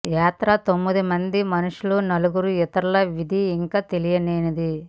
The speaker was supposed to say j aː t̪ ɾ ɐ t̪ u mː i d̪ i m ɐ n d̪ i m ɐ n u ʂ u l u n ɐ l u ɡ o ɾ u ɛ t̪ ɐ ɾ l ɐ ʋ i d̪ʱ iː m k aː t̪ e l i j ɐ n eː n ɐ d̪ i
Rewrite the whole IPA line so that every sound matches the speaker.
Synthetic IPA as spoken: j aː t̪ ɾ ɐ t̪ o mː i d̪ i m ɐ n d̪ i m ɐ n u ʂ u l u n ɐ l u ɡ u ɾ u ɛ t̪ ɐ ɾ l ɐ ʋ i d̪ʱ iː ŋ k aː t̪ e l i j ɐ n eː n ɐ d̪ i